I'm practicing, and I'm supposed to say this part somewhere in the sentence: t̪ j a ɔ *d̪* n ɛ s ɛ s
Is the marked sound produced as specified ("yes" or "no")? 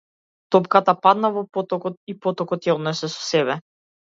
yes